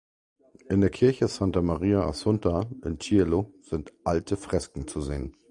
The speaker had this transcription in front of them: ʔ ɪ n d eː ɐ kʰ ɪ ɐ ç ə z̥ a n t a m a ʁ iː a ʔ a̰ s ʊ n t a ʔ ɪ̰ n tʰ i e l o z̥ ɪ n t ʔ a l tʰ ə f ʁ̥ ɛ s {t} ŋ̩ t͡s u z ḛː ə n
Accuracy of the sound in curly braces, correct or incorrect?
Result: incorrect